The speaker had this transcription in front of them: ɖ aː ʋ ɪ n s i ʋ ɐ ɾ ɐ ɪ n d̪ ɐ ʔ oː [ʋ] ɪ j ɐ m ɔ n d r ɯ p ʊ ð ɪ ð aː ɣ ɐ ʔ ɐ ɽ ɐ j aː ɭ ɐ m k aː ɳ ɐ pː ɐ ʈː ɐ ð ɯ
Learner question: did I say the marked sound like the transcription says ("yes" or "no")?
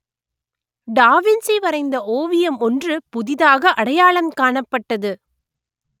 yes